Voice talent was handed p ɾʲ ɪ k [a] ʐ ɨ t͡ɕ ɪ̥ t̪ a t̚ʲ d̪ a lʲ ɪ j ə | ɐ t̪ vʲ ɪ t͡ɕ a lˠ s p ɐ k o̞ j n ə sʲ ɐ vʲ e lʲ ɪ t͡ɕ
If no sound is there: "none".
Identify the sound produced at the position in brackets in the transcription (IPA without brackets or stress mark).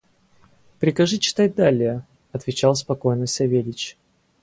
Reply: ɐ